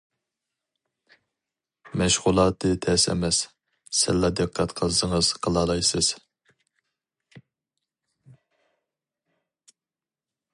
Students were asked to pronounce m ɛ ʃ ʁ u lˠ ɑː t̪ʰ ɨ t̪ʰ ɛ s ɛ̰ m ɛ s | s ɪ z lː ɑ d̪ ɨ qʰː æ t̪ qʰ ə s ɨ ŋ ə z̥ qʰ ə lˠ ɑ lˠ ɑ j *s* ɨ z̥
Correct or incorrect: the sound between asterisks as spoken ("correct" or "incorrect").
correct